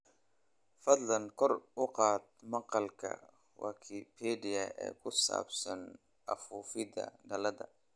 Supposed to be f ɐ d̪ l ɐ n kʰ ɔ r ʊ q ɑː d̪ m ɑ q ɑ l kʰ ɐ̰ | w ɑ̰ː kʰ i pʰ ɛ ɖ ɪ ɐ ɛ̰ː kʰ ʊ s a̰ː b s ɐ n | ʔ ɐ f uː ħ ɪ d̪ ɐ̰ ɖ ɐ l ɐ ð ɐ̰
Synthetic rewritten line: f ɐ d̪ l ɐ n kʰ ɔ r ʊ q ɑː d̪ m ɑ q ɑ l kʰ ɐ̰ | w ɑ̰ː kʰ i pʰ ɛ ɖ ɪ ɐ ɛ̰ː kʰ ʊ s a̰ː b s ɐ n | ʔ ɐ f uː f ɪ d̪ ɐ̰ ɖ ɐ l ɐ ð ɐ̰